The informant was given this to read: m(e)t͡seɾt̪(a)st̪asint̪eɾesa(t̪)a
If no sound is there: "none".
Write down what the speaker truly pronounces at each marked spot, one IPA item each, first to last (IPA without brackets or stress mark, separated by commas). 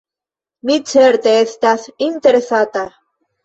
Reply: i, e, t̪